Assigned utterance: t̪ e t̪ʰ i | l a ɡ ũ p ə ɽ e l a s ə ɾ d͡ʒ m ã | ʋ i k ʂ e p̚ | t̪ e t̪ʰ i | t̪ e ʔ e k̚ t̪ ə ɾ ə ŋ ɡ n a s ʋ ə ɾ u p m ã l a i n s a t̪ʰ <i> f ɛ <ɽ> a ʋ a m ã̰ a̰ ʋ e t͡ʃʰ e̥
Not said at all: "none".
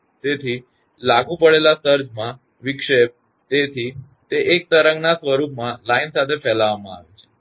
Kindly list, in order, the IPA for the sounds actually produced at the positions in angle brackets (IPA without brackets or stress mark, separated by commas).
e, l